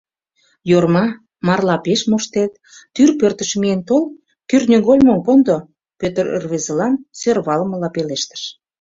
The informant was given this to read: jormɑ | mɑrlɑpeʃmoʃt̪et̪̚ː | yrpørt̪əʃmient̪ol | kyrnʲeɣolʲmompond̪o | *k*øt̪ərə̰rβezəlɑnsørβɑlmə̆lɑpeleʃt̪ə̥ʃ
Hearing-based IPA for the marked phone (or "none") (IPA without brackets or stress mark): p